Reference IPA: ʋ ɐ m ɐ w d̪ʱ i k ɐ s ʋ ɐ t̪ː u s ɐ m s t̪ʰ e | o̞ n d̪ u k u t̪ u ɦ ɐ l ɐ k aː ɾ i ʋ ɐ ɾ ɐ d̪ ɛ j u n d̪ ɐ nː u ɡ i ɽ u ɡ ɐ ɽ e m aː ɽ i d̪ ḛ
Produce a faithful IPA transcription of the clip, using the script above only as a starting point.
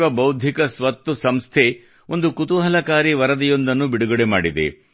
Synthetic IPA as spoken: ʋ ɐ b ɐ w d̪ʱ i k ɐ s ʋ ɐ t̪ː u s ɐ m s t̪ʰ e | o̞ n d̪ u k u t̪ u ɦ ɐ l ɐ k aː ɾ i ʋ ɐ ɾ ɐ d̪ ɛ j o n d̪ ɐ nː u b i ɽ u ɡ ɐ ɽ e m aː ɽ i d̪ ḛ

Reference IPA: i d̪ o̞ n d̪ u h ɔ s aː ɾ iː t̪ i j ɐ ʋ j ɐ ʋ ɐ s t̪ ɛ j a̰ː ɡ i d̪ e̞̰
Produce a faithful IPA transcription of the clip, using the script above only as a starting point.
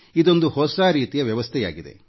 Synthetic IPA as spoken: i d̪ o̞ n d̪ u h ɔ s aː ɾ iː t̪ i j ɐ ʋ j ɐ ʋ ɐ s t̪ʰ ɛ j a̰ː ɡ i d̪ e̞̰

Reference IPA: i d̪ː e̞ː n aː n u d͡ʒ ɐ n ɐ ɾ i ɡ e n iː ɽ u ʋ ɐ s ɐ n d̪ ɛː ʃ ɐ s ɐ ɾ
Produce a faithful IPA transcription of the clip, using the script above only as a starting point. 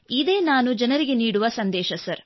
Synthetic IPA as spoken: i d̪ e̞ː n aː n u d͡ʒ ɐ n ɐ ɾ i ɡ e n iː ɽ u ʋ ɐ s ɐ n d̪ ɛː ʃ ɐ s ɐ ɾ

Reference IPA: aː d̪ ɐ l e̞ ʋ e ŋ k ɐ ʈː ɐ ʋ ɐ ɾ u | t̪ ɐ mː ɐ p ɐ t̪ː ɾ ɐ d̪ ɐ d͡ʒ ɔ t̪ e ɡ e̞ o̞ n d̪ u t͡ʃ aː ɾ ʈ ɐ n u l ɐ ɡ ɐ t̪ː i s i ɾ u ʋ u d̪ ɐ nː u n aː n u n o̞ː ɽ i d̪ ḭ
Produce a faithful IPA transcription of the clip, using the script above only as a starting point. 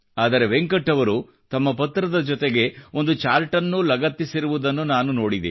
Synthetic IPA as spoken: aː d̪ ɐ ɾ e̞ ʋ e ŋ k ɐ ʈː ɐ ʋ ɐ ɾ u | t̪ ɐ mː ɐ p ɐ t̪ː ɾ ɐ d̪ ɐ d͡ʒ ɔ t̪ e ɡ e̞ o̞ n d̪ u t͡ʃ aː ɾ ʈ ɐ nː u l ɐ ɡ ɐ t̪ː i s i ɾ u ʋ u d̪ ɐ nː u n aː n u n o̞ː ɽ i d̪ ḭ

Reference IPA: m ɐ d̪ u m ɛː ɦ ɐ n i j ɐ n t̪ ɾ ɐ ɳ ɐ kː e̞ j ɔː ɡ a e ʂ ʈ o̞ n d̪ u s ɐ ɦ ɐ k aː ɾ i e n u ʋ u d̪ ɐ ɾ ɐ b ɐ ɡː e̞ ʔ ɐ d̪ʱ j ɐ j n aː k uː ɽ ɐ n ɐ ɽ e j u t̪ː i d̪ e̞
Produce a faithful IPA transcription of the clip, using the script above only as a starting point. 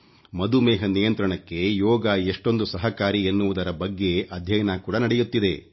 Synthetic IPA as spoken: m ɐ d̪ u m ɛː ɦ ɐ n i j ɐ n t̪ ɾ ɐ ɳ ɐ kː e̞ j ɔː ɡ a e ʂ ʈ o̞ n d̪ u s ɐ ɦ ɐ k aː ɾ i e nː u ʋ u d̪ ɐ ɾ ɐ b ɐ ɡː e̞ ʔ ɐ d̪ʱ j ɐ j n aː k uː ɽ ɐ n ɐ ɽ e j u t̪ː i d̪ e̞

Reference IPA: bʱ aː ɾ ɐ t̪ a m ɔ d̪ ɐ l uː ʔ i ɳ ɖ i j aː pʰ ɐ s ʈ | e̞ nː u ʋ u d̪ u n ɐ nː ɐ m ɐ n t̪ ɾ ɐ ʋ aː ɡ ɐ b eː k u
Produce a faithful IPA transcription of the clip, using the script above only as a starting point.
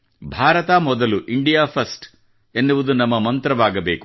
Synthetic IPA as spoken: bʱ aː ɾ ɐ t̪ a m ɔ d̪ ɐ l u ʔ i ɳ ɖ i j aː pʰ ɐ s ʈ | e̞ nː u ʋ u d̪ u n ɐ mː ɐ m ɐ n t̪ ɾ ɐ ʋ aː ɡ ɐ b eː k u

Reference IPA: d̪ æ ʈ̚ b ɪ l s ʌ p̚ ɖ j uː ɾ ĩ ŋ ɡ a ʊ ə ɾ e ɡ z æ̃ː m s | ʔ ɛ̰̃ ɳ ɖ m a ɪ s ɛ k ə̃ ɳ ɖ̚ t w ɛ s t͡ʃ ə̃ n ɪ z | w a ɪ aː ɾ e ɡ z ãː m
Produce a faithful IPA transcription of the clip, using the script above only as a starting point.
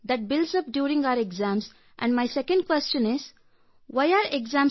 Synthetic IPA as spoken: d̪ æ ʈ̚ b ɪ l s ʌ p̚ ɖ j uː ɾ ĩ ŋ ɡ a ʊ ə ɾ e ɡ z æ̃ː m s | ʔ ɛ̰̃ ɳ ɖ m a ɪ s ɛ k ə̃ ɳ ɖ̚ k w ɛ s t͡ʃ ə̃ n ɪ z | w a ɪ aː ɾ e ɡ z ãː m

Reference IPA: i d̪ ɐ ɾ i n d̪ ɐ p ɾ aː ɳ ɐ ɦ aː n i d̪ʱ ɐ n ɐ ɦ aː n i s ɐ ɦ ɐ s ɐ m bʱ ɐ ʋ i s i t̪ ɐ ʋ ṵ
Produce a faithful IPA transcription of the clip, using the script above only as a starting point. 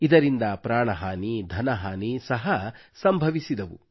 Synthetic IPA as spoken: i d̪ ɐ ɾ i n d̪ ɐ p ɾ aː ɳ ɐ ɦ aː n i d̪ʱ ɐ n ɐ ɦ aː n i s ɐ ɦ ɐ s ɐ m bʱ ɐ ʋ i s i d̪ ɐ ʋ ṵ

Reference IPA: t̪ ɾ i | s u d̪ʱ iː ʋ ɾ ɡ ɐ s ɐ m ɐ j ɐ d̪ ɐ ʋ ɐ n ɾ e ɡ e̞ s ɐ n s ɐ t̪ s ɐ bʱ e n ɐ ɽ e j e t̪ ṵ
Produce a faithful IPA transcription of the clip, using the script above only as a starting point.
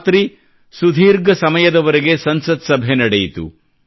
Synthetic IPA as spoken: t̪ ɾ i | s u d̪ʱ iː ɾ ɡ ɐ s ɐ m ɐ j ɐ d̪ ɐ ʋ ɐ ɾ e ɡ e̞ s ɐ n s ɐ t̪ s ɐ bʱ e n ɐ ɽ e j i t̪ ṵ

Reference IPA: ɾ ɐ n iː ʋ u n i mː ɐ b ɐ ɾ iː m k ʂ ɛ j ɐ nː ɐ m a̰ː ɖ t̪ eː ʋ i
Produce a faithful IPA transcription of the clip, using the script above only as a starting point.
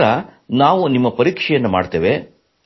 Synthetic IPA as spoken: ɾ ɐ n aː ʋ u n i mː ɐ p ɐ ɾ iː k ʂ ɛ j ɐ nː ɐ m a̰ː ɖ t̪ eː ʋ e

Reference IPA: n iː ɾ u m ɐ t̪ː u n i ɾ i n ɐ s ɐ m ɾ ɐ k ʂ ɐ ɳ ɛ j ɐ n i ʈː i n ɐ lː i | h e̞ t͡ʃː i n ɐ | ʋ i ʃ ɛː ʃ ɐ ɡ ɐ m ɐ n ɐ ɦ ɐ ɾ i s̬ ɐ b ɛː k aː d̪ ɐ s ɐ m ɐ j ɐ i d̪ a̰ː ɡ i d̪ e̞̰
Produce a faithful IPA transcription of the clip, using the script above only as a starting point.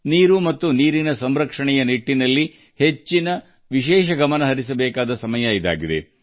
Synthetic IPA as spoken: n iː ɾ u m ɐ t̪ː u n iː ɾ i n ɐ s ɐ m ɾ ɐ k ʂ ɐ ɳ ɛ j ɐ n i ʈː i n ɐ lː i | h e̞ t͡ʃː i n ɐ | ʋ i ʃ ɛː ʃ ɐ ɡ ɐ m ɐ n ɐ ɦ ɐ ɾ i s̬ ɐ b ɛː k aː d̪ ɐ s ɐ m ɐ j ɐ i d̪ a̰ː ɡ i d̪ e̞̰

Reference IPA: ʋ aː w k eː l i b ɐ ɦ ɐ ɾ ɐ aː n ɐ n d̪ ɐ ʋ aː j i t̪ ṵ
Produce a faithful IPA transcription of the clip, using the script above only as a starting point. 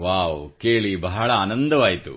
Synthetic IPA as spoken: ʋ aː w k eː ɭ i b ɐ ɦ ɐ ɭ ɐ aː n ɐ n d̪ ɐ ʋ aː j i t̪ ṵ

